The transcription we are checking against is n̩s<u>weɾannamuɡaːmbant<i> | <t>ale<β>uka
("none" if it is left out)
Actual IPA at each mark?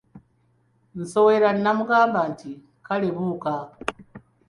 o, i, k, β

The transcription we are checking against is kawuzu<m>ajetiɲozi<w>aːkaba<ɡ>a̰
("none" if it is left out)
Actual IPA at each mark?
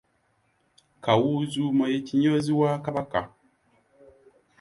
m, w, k

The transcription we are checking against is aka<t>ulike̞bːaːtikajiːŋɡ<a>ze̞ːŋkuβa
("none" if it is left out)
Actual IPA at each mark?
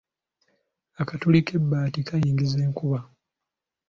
t, i

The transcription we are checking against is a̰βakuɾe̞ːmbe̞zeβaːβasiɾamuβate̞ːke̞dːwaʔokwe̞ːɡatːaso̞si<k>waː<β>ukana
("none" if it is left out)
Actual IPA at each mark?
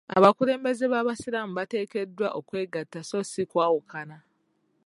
k, w

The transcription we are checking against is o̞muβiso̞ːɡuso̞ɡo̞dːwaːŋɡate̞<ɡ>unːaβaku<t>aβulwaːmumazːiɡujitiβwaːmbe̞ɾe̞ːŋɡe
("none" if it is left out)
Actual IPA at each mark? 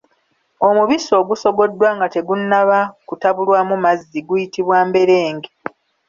ɡ, t

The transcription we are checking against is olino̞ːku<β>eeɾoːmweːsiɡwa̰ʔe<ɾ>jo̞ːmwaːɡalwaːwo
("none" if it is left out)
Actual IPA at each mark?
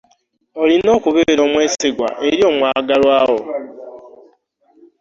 β, ɾ

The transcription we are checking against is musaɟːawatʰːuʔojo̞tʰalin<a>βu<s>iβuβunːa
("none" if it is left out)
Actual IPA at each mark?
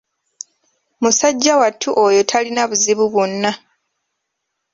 a, z

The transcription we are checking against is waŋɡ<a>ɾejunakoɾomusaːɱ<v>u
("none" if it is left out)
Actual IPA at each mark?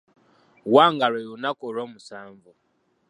a, v

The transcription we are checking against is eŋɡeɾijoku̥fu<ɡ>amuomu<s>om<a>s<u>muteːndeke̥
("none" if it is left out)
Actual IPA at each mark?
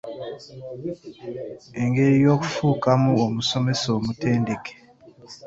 k, s, e, o

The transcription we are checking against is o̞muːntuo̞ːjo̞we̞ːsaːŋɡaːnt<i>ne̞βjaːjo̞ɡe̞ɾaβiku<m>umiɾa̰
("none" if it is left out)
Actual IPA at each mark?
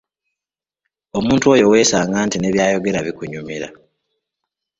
i, ɲ

